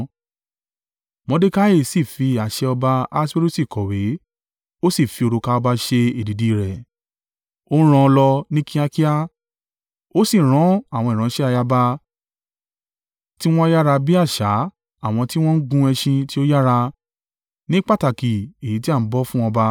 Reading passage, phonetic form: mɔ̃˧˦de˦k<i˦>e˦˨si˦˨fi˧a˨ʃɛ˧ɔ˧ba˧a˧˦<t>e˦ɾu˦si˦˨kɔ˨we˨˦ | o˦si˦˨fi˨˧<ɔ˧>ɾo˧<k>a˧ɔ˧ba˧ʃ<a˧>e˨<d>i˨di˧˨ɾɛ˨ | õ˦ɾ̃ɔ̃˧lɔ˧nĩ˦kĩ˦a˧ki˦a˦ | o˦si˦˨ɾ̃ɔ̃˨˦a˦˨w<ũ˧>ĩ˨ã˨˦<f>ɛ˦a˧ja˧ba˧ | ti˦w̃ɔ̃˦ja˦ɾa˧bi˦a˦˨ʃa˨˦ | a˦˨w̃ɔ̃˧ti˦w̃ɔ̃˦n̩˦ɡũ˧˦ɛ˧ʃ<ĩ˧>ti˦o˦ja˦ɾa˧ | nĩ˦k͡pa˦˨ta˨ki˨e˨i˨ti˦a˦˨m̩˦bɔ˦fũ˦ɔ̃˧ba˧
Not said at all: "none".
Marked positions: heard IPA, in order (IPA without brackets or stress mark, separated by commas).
a˦, s, o˧, k, e˧, d, ɔ̃˧, ʃ, ĩ˧